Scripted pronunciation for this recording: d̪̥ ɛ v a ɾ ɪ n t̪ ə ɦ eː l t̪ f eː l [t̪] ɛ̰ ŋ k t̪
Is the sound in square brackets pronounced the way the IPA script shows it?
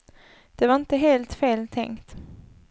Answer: no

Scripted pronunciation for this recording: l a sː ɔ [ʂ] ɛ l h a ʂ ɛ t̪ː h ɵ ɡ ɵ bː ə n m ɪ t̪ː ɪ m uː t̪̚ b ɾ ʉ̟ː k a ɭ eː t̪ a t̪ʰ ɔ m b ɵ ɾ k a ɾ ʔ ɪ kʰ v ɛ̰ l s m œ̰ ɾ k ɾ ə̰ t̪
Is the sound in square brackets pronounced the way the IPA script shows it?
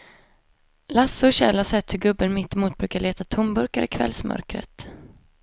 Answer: no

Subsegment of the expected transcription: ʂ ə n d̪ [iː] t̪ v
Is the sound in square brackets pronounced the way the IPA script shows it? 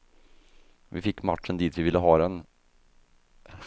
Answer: yes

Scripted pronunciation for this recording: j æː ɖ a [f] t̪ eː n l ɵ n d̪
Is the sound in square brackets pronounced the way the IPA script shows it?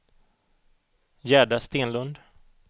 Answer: no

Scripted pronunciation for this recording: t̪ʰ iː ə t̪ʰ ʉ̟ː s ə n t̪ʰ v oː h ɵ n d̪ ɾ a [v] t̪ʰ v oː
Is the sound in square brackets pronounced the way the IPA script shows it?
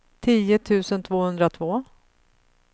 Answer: no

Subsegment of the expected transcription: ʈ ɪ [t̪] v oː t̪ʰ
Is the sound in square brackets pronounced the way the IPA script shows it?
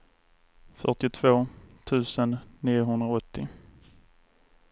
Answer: no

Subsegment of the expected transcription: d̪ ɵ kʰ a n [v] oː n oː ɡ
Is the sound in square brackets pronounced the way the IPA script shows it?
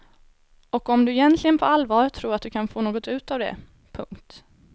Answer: no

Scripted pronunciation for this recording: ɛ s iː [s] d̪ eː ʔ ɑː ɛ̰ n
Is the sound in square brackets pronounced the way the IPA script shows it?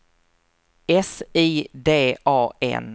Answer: no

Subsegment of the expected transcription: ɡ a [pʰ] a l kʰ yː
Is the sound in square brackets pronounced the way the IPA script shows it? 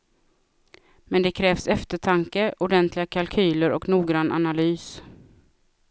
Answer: no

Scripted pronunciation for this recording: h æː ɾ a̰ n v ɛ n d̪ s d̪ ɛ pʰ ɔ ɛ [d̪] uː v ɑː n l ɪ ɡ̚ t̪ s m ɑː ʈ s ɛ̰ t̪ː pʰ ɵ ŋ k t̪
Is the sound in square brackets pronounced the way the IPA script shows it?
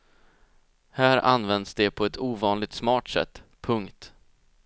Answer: no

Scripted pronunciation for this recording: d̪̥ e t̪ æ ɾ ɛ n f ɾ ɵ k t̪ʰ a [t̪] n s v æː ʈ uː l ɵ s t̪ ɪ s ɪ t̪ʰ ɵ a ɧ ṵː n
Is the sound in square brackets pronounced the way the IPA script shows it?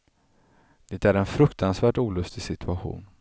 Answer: no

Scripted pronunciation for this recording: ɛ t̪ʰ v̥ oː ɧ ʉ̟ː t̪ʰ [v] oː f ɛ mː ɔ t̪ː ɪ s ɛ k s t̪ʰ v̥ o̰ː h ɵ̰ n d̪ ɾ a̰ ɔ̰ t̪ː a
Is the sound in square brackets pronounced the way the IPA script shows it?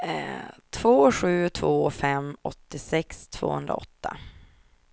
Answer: yes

